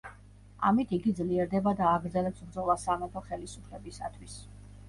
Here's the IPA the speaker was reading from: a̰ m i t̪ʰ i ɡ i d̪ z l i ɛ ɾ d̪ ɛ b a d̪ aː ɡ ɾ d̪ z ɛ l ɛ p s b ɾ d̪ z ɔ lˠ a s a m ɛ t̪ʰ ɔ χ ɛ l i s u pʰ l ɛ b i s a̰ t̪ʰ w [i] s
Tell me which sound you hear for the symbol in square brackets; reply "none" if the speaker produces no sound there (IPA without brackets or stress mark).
i